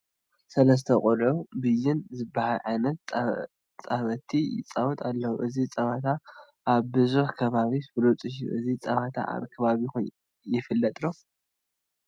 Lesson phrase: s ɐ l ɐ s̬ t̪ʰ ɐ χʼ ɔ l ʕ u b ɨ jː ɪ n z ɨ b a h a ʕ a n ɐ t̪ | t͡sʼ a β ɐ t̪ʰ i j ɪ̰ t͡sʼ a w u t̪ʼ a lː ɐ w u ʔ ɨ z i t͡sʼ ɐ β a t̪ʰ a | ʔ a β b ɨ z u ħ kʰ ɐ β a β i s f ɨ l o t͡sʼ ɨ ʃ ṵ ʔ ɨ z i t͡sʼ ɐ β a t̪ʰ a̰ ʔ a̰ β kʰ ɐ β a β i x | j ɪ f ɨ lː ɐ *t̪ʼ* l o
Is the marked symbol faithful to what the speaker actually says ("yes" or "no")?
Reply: yes